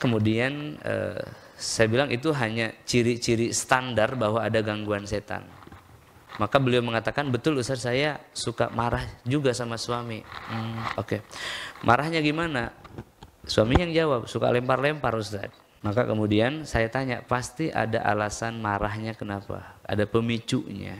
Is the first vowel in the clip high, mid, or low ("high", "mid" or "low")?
mid